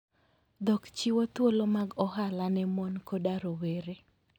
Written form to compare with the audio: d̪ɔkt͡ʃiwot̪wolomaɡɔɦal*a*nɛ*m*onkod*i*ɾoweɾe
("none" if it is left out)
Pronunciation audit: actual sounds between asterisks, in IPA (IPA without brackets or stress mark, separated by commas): a, m, a